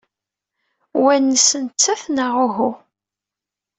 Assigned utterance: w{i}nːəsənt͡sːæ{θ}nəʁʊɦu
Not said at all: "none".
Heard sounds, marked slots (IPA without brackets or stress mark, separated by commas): æ, θ